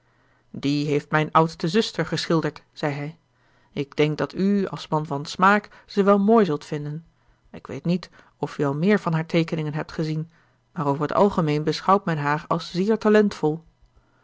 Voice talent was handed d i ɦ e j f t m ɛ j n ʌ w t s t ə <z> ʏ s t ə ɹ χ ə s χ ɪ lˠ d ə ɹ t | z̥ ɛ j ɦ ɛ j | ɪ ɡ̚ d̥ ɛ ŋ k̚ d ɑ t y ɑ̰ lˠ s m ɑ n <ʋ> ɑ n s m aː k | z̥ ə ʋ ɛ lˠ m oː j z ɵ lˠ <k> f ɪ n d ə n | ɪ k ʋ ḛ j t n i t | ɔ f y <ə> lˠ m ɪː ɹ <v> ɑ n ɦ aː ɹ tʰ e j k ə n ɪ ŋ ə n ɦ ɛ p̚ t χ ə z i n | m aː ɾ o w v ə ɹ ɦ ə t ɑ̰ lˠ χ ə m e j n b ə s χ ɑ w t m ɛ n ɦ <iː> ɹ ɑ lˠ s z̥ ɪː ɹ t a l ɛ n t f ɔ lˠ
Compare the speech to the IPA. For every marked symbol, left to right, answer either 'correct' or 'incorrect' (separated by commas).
correct, incorrect, incorrect, incorrect, correct, incorrect